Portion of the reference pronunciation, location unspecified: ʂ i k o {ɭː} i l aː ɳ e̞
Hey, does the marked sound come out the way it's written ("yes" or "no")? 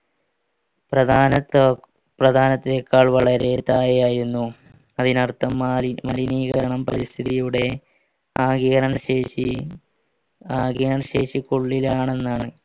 yes